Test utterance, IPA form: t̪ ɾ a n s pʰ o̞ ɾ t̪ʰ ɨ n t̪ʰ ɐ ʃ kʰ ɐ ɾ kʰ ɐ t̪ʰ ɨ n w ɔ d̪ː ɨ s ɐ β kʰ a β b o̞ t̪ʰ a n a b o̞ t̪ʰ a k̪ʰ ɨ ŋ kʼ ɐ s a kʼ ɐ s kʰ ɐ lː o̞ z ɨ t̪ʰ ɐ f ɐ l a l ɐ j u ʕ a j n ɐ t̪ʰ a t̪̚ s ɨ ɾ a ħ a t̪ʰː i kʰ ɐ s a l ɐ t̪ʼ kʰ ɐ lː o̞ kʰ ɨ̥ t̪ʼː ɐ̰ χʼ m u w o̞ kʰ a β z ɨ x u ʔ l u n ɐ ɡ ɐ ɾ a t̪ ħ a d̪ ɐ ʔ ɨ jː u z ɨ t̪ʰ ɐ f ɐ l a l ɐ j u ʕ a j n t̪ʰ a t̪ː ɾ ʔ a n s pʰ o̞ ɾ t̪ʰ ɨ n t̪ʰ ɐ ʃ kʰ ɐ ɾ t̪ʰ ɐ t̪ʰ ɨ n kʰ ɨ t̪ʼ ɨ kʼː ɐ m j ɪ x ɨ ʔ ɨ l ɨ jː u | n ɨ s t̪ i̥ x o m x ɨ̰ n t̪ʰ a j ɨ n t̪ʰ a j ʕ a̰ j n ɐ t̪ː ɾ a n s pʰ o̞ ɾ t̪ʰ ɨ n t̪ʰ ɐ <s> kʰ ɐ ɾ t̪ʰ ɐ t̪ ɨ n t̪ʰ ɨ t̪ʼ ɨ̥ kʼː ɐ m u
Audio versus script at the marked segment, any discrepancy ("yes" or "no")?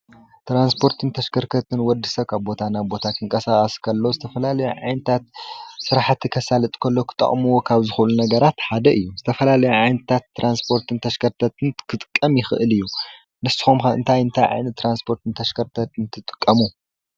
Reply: yes